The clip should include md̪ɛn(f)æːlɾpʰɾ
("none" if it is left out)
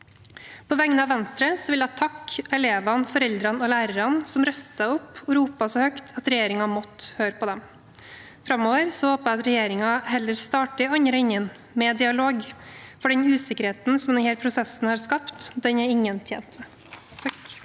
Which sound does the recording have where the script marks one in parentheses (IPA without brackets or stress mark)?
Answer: h